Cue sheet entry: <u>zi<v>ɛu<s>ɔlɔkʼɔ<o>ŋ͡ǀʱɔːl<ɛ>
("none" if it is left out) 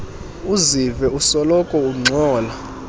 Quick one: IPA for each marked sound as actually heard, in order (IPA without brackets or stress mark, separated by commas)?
u, v, s, u, a